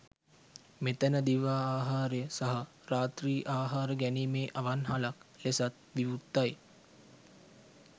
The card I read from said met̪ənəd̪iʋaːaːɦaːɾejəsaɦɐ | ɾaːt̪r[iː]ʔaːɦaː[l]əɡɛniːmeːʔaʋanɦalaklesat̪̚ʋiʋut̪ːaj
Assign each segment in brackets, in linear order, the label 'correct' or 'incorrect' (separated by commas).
correct, incorrect